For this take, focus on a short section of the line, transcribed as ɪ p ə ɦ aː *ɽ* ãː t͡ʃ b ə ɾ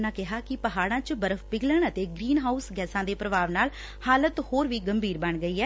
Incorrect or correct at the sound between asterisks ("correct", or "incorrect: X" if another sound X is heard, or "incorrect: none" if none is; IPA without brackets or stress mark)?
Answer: correct